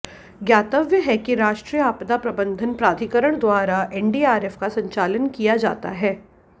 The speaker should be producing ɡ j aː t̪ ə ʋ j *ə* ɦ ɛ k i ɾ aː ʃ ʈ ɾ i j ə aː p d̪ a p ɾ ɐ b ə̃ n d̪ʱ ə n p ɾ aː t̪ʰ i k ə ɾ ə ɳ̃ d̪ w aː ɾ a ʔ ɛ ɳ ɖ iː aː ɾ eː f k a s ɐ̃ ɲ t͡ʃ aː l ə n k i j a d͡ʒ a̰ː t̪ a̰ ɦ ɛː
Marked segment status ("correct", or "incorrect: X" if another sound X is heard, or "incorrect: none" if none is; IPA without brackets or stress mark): correct